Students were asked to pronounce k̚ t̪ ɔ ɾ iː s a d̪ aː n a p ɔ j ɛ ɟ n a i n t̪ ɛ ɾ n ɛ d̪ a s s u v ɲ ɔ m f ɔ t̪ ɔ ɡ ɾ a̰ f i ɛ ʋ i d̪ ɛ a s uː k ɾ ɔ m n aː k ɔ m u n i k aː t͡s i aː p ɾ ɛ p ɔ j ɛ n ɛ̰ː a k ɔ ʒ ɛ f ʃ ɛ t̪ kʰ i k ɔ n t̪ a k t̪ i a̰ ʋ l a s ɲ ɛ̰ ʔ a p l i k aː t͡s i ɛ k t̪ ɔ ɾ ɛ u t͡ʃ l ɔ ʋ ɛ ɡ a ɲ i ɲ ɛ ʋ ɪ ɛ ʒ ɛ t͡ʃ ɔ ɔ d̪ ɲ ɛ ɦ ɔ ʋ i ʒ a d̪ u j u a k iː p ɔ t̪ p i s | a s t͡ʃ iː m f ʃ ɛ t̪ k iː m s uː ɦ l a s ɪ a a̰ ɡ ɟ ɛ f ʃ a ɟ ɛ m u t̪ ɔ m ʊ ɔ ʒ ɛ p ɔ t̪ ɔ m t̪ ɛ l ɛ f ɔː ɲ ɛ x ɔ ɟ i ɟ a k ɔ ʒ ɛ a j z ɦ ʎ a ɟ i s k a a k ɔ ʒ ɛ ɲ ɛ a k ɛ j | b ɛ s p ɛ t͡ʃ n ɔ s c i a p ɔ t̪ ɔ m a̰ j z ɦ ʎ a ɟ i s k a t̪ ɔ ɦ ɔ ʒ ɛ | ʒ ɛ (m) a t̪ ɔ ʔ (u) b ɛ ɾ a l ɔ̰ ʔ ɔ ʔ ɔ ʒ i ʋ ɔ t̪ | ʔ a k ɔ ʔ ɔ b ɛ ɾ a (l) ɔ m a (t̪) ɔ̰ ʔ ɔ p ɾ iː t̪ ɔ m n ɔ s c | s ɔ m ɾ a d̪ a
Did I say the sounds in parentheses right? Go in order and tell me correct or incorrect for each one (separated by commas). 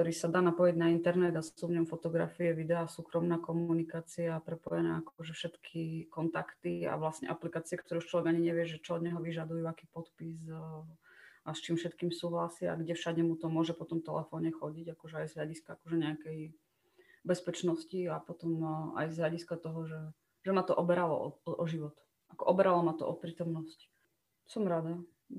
correct, incorrect, correct, correct